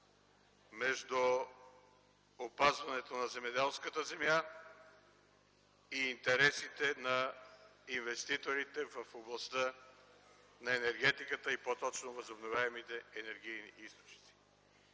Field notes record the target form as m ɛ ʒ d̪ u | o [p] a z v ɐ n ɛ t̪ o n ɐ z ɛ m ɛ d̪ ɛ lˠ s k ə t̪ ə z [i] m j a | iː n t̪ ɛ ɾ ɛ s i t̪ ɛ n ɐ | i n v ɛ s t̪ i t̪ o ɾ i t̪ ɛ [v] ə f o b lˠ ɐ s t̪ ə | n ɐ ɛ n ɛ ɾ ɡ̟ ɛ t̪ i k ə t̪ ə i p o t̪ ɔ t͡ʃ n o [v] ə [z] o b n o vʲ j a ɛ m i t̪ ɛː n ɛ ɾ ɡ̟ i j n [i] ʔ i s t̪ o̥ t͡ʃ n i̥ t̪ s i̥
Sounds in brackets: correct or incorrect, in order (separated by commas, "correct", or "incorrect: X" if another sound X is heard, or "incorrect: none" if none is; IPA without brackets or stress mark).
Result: correct, incorrect: ɛ, correct, correct, correct, correct